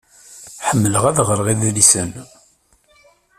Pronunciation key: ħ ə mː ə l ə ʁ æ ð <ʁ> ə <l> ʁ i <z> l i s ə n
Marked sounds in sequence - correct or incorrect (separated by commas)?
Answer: correct, incorrect, incorrect